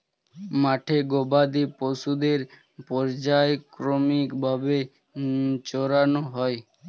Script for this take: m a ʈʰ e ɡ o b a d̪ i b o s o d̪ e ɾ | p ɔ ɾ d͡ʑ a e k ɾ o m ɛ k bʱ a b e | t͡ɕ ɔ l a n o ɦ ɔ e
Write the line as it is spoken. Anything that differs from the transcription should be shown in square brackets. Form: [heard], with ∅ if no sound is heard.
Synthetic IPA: m a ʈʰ e ɡ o b a d̪ i [p] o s [u] d̪ e ɾ | p ɔ ɾ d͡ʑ a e k ɾ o m [i] k bʱ a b e | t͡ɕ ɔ [ɾ] a n o ɦ ɔ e